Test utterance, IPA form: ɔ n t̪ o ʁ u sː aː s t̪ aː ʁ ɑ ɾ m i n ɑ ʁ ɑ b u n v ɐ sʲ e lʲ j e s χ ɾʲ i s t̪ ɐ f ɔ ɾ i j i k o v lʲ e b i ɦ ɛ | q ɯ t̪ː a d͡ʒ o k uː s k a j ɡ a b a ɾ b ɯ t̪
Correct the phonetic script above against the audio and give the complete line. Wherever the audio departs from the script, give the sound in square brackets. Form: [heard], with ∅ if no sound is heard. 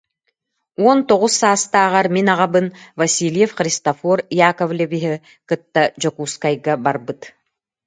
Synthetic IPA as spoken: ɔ n t̪ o ʁ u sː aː s t̪ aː ʁ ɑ ɾ m i n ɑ ʁ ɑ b [ɯ] n v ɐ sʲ [i] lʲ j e [f] χ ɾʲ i s t̪ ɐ f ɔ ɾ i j [a] k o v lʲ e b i ɦ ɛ | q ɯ t̪ː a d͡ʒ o k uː s k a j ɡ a b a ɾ b ɯ t̪

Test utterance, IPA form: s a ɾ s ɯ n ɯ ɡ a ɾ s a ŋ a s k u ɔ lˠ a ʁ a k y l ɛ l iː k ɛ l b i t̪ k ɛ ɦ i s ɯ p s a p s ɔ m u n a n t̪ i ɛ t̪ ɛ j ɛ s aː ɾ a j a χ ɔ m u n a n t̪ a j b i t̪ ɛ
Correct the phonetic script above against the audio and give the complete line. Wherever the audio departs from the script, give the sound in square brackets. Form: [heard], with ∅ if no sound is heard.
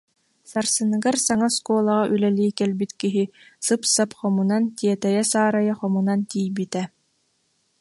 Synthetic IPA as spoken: s a ɾ s ɯ n ɯ ɡ a ɾ s a ŋ a s k u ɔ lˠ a ʁ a [ʔ] y l ɛ l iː k ɛ l b i t̪ k [i] ɦ i s ɯ p s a p [χ] ɔ m u n a n t̪ i ɛ t̪ ɛ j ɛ s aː ɾ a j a χ ɔ m u n a n t̪ [i] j b i t̪ ɛ

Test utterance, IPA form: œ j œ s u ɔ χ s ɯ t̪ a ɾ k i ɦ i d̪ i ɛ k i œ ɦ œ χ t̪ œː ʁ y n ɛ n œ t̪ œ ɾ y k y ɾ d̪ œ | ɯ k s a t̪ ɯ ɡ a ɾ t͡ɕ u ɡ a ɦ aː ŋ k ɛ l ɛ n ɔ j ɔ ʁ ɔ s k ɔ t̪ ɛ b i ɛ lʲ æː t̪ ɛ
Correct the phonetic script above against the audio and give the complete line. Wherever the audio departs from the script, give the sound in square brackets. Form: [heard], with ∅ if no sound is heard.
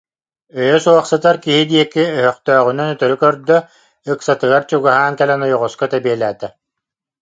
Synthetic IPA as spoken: œ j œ s u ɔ χ s ɯ t̪ a ɾ k i ɦ i d̪ i ɛ k i œ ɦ œ χ t̪ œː ʁ y n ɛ n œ t̪ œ ɾ y k [œ] ɾ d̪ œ | ɯ k s a t̪ ɯ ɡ a ɾ t͡ɕ u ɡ a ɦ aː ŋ k ɛ l ɛ n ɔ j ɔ ʁ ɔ s k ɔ t̪ ɛ b i ɛ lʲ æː t̪ ɛ

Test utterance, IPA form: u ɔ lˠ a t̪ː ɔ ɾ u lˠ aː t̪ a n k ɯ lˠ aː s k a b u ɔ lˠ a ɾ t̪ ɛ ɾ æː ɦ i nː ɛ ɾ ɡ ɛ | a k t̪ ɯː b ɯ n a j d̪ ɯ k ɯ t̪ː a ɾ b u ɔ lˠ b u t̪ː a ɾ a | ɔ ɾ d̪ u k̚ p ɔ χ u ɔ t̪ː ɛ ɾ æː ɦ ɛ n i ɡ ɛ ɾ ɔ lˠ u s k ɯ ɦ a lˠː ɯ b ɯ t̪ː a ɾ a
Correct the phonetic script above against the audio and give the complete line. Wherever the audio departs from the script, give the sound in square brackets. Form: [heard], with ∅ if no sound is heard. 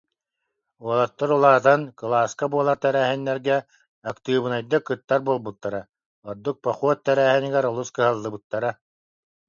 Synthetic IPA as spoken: u ɔ lˠ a t̪ː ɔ ɾ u lˠ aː t̪ a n k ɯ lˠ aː s k a b u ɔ lˠ a ɾ t̪ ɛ ɾ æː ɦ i nː ɛ ɾ ɡ ɛ | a k t̪ ɯː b ɯ n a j d̪ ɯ k ɯ t̪ː a ɾ b u ɔ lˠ b u t̪ː a ɾ a | ɔ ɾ d̪ u k̚ p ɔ χ u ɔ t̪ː ɛ ɾ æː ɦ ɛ n i ɡ ɛ ɾ ɔ lˠ u s k ɯ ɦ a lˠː ɯ b ɯ t̪ː a ɾ a

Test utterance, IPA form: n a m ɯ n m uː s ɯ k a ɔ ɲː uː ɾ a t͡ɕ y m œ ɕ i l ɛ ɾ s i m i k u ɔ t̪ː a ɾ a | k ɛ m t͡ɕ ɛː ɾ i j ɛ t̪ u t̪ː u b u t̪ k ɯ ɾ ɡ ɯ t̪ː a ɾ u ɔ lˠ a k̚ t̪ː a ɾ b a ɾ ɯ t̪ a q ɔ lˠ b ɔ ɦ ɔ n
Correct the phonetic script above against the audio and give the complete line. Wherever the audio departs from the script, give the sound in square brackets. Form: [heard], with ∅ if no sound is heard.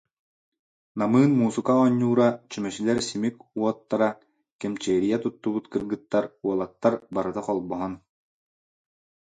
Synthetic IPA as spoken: n a m [ɯː] n m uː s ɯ k a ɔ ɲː uː ɾ a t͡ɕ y m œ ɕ i l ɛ ɾ s i m i k u ɔ t̪ː a ɾ a | k ɛ m t͡ɕ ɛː ɾ i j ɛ t̪ u t̪ː u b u t̪ k ɯ ɾ ɡ ɯ t̪ː a ɾ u ɔ lˠ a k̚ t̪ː a ɾ b a ɾ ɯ t̪ a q ɔ lˠ b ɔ ɦ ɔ n

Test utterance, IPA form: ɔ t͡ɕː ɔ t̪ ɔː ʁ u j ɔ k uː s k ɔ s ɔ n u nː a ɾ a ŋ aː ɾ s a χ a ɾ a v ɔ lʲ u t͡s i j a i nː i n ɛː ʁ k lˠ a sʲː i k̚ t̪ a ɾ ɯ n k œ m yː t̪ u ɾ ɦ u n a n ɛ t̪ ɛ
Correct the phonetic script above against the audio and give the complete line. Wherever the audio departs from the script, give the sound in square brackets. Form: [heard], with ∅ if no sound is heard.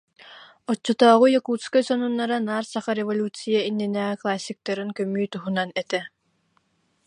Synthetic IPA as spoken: ɔ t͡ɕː ɔ t̪ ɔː ʁ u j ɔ k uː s k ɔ s ɔ n u nː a ɾ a [n] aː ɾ s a χ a ɾ [ɛ] v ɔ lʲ u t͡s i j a i nː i n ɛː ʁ k lˠ a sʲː i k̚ t̪ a ɾ ɯ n k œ m yː t̪ u [∅] ɦ u n a n ɛ t̪ ɛ

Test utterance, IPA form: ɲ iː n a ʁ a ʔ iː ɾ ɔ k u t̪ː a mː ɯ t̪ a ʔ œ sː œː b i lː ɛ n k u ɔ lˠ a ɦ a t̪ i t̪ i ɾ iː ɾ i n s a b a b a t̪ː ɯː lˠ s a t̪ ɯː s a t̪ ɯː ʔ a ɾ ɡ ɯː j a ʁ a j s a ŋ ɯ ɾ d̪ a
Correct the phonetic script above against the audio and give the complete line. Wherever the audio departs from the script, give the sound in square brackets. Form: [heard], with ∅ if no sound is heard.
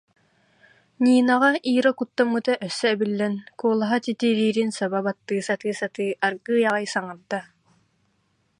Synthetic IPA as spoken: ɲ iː n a ʁ a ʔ iː ɾ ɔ k u t̪ː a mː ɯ t̪ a ʔ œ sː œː b i lː ɛ n k u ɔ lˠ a ɦ a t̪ i t̪ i ɾ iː ɾ i n s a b a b a t̪ː ɯː [∅] s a t̪ ɯː s a t̪ ɯː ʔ a ɾ ɡ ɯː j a ʁ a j s a ŋ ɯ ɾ d̪ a

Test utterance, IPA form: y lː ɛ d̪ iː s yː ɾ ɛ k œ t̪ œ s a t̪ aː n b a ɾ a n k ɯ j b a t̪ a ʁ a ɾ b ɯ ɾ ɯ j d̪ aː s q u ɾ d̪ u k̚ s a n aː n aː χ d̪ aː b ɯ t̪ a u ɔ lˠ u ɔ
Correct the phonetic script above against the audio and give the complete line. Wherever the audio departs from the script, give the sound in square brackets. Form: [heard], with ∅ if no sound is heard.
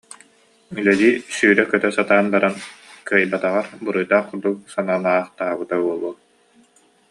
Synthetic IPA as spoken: y [l] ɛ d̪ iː s yː ɾ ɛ k œ t̪ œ s a t̪ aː n b a ɾ a n k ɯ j b a t̪ a ʁ a ɾ b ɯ ɾ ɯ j d̪ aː [χ] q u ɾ d̪ u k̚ s a n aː n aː χ [t̪] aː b ɯ t̪ a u ɔ lˠ u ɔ

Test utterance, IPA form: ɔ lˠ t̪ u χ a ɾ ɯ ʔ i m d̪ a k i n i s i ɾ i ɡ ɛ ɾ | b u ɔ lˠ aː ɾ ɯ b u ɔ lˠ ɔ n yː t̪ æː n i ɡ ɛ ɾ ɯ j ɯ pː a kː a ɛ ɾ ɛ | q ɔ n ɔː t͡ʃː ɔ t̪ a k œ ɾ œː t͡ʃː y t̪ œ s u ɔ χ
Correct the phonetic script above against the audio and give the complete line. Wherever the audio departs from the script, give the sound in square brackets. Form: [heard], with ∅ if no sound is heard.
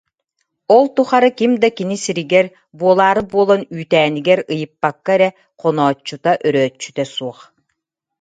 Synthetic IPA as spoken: ɔ lˠ t̪ u χ a ɾ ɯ [k] i m d̪ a k i n i s i ɾ i ɡ ɛ ɾ | b u ɔ lˠ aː ɾ ɯ b u ɔ lˠ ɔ n yː t̪ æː n i ɡ ɛ ɾ ɯ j ɯ pː a kː a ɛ ɾ ɛ | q ɔ n ɔː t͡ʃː [u] t̪ a [ʔ] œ ɾ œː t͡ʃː y t̪ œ s u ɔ χ

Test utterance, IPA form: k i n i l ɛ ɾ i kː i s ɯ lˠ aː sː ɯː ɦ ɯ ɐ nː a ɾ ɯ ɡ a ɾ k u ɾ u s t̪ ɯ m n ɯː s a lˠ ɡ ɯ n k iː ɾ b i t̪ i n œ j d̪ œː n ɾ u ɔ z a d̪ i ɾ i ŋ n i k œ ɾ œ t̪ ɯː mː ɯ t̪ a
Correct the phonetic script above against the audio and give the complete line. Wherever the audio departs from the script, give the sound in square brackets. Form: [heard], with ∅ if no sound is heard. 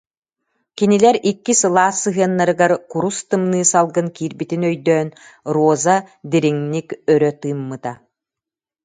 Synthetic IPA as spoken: k i n i l ɛ ɾ i kː i s ɯ lˠ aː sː [ɯ] ɦ ɯ ɐ nː a ɾ ɯ ɡ a ɾ k u ɾ u s t̪ ɯ m n ɯː s a lˠ ɡ ɯ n k iː ɾ b i t̪ i n œ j d̪ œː n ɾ u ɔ z a d̪ i ɾ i ŋ n i k œ ɾ œ t̪ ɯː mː ɯ t̪ a

